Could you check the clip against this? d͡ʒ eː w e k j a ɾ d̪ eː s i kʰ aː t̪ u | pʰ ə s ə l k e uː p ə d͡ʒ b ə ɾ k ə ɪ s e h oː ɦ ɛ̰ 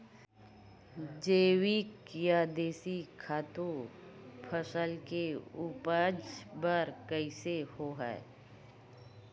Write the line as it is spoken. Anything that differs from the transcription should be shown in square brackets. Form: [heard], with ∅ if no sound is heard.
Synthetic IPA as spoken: d͡ʒ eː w [i] k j a [∅] d̪ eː s i kʰ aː t̪ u | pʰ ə s ə l k e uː p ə d͡ʒ b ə ɾ k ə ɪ s e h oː ɦ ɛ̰

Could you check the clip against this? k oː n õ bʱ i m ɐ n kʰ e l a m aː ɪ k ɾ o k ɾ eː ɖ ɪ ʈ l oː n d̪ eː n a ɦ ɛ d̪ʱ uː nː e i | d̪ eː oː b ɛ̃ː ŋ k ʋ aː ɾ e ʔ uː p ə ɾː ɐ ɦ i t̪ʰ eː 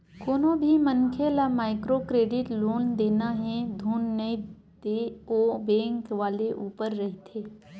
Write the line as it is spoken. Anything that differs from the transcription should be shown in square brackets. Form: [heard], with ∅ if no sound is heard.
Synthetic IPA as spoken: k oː n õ bʱ i m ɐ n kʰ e l a m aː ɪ k ɾ o k ɾ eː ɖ ɪ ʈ l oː n d̪ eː n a ɦ ɛ d̪ʱ uː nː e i | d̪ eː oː b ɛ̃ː ŋ k ʋ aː [l] e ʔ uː p ə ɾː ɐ ɦ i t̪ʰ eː

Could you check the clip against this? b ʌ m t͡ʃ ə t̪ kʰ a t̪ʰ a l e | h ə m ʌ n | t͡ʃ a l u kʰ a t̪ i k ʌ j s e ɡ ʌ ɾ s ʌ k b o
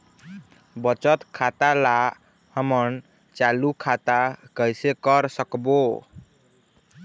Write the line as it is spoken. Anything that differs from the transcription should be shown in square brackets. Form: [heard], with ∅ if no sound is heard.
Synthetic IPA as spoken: b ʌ [∅] t͡ʃ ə t̪ kʰ a [t̪] a l [a] | h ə m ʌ n | t͡ʃ a l u kʰ a t̪ [a] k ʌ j s e [k] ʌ ɾ s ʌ k b o

